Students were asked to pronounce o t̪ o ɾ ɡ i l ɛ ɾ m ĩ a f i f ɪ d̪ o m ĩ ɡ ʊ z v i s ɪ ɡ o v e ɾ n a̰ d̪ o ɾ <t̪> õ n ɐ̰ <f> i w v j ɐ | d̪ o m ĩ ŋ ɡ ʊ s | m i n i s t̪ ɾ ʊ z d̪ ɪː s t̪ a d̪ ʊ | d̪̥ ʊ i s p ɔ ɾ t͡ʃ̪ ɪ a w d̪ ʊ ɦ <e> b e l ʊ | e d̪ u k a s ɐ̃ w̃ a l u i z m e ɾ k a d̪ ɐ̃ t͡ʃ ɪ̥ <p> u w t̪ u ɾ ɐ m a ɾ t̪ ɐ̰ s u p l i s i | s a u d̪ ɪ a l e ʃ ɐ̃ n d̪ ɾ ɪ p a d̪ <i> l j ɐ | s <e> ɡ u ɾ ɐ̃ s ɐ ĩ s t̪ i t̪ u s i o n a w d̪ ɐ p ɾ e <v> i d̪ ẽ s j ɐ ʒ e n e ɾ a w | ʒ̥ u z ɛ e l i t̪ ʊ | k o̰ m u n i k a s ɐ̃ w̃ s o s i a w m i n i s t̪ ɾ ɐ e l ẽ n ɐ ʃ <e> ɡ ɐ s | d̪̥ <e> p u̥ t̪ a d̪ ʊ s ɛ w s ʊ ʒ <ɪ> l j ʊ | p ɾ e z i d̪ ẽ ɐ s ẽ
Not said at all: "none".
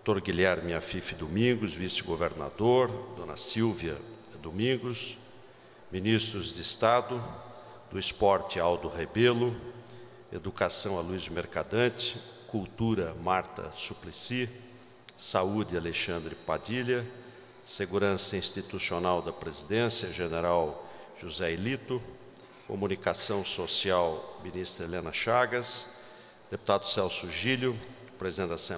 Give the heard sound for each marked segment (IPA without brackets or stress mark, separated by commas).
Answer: d̪, s, e, k, i, e, z, a, e, i